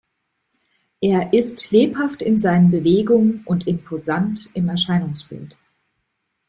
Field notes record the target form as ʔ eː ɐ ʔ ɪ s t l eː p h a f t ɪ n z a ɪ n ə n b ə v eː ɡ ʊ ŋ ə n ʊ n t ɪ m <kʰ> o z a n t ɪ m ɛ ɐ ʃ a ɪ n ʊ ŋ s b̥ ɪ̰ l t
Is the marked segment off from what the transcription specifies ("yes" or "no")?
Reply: yes